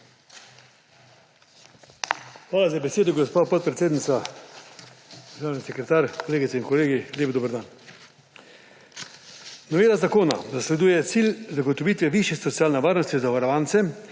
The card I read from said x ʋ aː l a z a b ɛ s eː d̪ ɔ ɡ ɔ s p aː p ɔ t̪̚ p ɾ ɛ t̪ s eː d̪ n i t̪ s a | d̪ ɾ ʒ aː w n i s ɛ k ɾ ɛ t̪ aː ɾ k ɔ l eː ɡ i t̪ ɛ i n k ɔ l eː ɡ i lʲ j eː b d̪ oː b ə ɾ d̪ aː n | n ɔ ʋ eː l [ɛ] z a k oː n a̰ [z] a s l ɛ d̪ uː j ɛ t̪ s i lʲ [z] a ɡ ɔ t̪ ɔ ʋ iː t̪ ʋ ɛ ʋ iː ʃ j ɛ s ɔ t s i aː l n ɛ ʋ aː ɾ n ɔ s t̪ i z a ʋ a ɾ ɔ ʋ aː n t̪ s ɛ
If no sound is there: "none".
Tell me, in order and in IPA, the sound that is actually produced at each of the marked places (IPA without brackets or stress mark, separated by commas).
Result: a, z, z